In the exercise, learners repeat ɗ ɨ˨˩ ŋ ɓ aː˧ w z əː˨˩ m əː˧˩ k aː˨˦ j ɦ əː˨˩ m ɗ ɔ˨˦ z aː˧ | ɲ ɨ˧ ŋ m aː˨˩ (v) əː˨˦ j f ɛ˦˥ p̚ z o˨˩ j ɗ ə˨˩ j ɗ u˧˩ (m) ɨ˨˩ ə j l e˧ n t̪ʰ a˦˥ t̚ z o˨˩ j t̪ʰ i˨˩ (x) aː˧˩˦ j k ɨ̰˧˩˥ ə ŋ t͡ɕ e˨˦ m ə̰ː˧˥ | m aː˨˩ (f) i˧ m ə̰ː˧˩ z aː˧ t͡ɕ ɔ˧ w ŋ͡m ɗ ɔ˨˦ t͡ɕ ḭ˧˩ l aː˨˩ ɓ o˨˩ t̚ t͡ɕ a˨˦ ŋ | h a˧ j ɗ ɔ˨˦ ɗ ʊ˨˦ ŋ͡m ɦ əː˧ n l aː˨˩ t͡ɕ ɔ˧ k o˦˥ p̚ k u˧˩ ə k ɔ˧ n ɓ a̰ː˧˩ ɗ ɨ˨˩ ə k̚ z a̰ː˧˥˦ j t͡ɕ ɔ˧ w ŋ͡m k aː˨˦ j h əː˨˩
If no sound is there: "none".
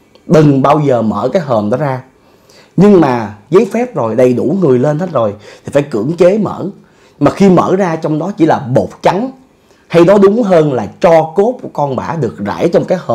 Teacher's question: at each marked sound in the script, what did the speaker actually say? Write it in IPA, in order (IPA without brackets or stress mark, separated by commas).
z, ŋ, f, x